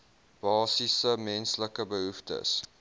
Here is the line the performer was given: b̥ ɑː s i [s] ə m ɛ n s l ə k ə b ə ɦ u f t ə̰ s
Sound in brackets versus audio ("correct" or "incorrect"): correct